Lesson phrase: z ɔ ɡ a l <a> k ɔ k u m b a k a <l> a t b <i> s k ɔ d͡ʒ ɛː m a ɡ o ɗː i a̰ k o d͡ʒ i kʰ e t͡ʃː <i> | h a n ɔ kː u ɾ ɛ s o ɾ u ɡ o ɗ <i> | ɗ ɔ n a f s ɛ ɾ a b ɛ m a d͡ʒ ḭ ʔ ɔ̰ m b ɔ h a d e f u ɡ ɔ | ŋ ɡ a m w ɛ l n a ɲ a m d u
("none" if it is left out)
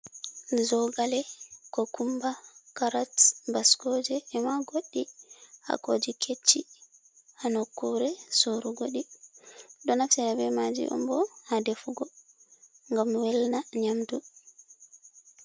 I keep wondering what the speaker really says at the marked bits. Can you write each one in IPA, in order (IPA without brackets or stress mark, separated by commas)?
ɛ, ɾ, a, i, i